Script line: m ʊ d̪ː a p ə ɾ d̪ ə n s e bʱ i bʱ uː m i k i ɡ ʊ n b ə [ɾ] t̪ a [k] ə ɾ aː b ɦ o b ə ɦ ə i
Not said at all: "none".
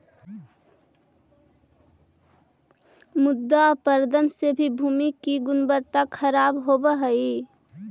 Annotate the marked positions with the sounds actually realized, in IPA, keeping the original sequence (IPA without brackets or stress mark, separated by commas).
ɾ, kʰ